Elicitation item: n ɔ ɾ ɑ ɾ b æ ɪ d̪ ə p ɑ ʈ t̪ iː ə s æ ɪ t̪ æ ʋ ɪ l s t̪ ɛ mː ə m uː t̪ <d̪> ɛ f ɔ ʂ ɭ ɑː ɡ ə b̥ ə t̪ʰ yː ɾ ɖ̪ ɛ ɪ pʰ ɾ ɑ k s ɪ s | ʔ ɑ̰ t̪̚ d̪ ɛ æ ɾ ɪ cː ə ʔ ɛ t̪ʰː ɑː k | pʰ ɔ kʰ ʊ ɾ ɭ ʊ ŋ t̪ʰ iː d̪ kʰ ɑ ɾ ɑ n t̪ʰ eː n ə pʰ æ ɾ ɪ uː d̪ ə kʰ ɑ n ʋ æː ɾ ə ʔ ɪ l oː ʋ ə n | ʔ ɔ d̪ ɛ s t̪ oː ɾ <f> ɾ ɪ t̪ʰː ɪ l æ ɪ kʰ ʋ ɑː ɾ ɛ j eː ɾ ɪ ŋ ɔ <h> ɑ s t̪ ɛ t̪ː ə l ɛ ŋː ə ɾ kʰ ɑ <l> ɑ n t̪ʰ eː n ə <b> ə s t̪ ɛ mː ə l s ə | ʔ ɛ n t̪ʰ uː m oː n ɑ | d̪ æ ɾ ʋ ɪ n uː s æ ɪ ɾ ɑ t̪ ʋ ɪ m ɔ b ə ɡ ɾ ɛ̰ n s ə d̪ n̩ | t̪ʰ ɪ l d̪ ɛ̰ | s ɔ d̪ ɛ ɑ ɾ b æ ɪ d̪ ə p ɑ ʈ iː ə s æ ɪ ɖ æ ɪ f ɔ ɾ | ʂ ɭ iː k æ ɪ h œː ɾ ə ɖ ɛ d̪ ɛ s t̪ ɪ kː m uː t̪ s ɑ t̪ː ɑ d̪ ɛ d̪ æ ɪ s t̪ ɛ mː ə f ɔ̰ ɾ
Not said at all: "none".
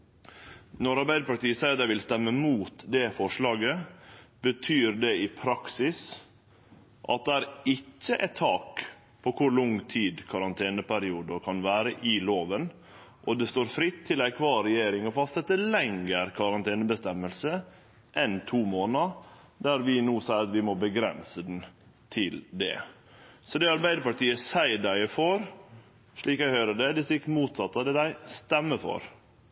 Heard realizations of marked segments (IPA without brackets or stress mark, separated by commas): d̪, f, f, ɾ, b